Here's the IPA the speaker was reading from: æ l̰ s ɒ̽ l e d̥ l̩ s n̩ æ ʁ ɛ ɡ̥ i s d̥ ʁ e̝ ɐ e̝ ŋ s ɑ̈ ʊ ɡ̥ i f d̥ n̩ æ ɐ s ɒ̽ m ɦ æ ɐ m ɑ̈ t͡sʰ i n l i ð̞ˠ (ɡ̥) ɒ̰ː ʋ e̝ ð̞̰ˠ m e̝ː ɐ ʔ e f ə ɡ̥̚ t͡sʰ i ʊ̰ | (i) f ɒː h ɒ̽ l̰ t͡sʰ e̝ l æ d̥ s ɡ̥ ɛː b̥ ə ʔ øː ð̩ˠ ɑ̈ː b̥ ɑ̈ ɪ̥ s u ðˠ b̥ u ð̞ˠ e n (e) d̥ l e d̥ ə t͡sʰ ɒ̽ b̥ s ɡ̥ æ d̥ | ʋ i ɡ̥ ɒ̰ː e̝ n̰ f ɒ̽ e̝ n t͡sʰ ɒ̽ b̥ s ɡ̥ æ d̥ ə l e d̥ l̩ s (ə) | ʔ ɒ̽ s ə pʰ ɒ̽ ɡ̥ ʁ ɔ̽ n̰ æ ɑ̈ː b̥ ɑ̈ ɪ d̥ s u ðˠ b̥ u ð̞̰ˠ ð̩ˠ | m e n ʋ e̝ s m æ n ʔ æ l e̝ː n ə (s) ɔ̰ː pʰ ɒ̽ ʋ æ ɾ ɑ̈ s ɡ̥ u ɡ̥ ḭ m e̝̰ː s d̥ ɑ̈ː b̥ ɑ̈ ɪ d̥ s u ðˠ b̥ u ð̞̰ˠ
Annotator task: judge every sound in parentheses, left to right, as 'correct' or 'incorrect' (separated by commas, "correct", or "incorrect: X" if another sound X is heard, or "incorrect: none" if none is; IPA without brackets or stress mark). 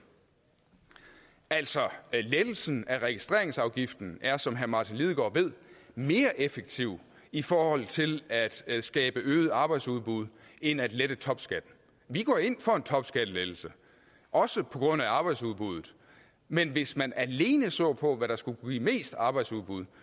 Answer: correct, correct, incorrect: æ, correct, correct